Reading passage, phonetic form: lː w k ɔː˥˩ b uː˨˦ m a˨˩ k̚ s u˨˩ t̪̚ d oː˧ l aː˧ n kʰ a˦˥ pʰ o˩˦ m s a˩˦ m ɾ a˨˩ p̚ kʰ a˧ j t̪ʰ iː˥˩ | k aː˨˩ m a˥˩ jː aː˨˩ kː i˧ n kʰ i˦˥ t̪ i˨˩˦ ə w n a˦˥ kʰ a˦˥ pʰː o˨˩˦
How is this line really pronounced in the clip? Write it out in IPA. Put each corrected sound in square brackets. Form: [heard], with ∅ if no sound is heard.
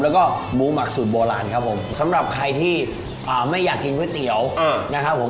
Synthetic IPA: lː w k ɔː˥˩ b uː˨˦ m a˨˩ k̚ s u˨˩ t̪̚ [b] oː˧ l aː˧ n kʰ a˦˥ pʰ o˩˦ m s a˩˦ m ɾ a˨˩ p̚ kʰ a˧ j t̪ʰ iː˥˩ | [ʔ] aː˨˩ m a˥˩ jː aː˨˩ kː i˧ n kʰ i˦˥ t̪ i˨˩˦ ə w n a˦˥ kʰ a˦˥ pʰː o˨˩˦